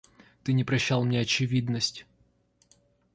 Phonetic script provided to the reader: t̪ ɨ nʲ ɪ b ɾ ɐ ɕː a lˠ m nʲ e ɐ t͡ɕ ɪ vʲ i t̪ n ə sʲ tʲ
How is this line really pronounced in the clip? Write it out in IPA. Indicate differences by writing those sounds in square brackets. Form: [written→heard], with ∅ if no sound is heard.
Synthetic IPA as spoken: t̪ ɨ nʲ ɪ [b→p] ɾ ɐ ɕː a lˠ m nʲ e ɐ t͡ɕ ɪ vʲ i [t̪→d̪] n ə sʲ tʲ